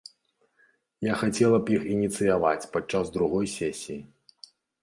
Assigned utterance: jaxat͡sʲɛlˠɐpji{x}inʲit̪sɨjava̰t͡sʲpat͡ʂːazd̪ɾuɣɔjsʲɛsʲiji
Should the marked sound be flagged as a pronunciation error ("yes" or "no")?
no